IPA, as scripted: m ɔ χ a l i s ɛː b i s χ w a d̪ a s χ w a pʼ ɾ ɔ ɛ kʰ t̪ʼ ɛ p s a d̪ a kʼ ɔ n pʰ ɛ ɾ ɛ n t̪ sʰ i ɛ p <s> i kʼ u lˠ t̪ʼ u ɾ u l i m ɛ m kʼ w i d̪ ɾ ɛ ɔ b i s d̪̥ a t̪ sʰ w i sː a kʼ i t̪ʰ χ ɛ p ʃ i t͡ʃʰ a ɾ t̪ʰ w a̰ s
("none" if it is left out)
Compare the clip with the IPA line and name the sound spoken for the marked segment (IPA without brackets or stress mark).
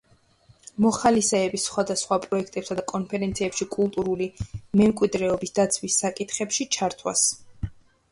ʃ